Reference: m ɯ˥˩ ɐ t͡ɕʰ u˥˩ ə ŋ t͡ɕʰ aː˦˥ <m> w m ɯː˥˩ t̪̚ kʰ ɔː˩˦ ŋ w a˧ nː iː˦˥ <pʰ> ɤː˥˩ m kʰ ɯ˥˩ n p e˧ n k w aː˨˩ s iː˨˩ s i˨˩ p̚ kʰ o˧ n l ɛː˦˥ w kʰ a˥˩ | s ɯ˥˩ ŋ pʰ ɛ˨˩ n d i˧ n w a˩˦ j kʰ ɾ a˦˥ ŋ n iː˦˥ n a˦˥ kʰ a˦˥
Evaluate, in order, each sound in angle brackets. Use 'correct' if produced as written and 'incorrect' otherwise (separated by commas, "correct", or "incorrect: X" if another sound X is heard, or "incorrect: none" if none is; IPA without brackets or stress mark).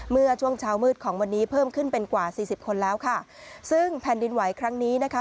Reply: incorrect: none, correct